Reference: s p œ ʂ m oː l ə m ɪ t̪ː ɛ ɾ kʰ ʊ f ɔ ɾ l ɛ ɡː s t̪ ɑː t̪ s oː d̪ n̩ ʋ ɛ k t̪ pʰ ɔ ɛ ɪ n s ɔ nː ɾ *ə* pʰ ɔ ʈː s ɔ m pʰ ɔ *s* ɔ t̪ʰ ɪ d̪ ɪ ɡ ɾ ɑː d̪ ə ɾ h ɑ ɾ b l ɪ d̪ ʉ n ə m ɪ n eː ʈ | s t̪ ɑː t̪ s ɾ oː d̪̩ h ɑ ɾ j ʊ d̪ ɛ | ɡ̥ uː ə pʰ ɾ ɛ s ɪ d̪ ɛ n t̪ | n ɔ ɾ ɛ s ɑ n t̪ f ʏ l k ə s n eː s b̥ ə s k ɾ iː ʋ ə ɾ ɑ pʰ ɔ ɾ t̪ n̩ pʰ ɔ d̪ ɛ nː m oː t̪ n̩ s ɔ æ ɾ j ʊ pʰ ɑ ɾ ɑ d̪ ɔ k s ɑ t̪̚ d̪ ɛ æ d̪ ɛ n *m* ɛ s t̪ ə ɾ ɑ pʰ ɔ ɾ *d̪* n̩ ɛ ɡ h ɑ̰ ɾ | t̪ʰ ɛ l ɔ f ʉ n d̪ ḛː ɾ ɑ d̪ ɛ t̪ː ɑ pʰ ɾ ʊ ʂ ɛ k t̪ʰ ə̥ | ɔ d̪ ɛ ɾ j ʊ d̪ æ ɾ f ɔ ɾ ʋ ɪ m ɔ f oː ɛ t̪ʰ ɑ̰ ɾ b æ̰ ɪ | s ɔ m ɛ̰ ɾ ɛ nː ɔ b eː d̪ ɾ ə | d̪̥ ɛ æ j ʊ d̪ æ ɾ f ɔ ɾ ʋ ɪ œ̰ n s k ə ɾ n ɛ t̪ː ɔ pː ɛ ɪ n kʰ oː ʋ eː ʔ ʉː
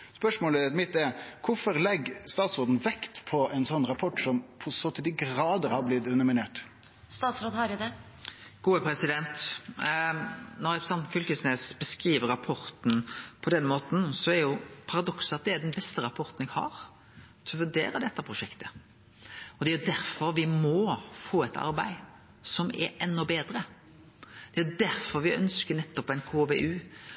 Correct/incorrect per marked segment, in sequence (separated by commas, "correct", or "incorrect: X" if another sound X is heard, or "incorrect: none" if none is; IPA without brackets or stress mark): incorrect: ɑ, correct, incorrect: b, incorrect: t̪